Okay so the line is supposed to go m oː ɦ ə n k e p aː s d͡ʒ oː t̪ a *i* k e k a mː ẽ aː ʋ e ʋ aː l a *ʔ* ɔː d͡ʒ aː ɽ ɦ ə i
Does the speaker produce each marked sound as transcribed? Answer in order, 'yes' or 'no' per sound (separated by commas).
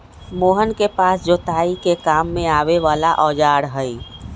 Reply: yes, yes